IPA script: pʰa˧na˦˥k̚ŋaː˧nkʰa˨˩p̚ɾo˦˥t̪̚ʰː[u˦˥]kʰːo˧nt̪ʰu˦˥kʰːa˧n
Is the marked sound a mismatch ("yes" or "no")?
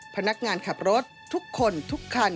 no